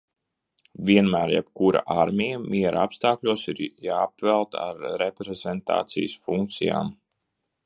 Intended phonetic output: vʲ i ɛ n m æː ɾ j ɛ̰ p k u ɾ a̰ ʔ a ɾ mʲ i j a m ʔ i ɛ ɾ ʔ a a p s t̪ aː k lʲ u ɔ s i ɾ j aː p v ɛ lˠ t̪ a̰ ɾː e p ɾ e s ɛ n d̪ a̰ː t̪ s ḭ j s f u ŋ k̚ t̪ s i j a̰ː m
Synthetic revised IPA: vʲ i ɛ n m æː ɾ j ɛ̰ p k u ɾ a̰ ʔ a ɾ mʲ i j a m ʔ i ɛ ɾ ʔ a a p s t̪ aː k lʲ u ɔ s i ɾ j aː p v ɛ lˠ t̪ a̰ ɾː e p ɾ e z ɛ n t̪ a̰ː t̪ s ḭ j s f u ŋ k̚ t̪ s i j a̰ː m